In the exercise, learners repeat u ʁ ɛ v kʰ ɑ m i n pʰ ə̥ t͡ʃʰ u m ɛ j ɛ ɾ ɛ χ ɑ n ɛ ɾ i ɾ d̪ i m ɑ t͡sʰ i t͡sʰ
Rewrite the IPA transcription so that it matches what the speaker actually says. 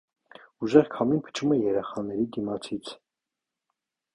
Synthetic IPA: u ʒ ɛ ʁ kʰ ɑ m i n pʰ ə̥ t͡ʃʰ u m ɛ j ɛ ɾ ɛ χ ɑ n ɛ ɾ i d̪ i m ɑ t͡sʰ i t͡sʰ